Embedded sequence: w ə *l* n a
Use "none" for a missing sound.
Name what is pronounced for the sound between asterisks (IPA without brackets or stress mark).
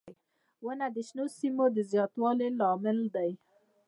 none